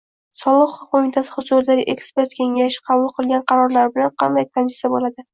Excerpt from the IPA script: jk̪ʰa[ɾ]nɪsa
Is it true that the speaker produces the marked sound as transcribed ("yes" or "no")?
no